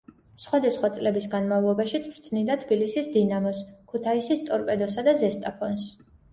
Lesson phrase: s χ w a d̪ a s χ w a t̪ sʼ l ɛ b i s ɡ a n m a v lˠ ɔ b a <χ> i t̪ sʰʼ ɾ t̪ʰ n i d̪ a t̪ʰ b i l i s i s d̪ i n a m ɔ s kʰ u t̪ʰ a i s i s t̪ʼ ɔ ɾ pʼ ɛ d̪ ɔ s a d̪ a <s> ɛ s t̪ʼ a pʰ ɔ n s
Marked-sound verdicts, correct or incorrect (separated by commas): incorrect, incorrect